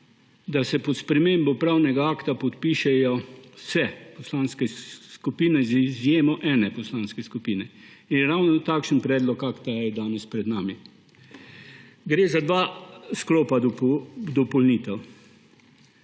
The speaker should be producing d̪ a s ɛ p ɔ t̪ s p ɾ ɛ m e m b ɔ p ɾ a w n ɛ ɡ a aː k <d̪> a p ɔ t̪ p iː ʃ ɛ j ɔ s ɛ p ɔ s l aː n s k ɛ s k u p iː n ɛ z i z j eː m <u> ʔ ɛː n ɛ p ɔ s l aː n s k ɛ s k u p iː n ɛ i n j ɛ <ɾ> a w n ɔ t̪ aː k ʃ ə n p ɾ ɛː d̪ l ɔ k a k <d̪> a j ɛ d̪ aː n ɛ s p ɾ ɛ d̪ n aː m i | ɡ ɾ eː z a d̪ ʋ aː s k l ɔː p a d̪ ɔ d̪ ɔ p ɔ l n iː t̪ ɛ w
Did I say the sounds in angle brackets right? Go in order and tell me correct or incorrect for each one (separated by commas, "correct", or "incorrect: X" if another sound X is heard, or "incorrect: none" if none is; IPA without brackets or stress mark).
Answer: incorrect: t̪, incorrect: ɔ, correct, incorrect: t̪